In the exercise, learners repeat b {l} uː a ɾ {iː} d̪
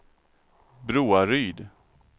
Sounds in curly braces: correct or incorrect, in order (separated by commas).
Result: incorrect, incorrect